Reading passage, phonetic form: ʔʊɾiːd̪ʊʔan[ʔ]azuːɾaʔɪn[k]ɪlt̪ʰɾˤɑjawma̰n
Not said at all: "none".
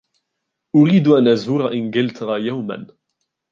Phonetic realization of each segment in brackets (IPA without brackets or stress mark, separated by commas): ʔ, ɡ